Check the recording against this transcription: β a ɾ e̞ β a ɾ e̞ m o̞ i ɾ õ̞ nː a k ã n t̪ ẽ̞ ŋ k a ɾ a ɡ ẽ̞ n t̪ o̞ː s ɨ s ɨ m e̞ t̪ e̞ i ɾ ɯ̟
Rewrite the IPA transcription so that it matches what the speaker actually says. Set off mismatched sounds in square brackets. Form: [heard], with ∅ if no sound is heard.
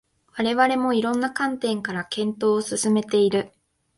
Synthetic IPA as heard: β a ɾ e̞ β a ɾ e̞ m o̞ i ɾ õ̞ nː a k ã n t̪ ẽ̞ ŋ k a ɾ a [k] ẽ̞ n t̪ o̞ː s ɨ s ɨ m e̞ t̪ e̞ i ɾ ɯ̟